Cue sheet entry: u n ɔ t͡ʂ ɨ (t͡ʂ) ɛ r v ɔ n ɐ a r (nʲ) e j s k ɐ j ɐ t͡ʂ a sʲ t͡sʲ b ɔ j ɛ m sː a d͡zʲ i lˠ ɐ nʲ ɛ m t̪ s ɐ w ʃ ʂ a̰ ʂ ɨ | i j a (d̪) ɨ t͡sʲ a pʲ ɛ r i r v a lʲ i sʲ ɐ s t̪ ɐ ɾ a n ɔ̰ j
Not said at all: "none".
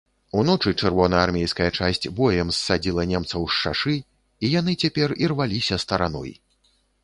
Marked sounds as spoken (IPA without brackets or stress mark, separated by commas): t͡ʂ, mʲ, n̪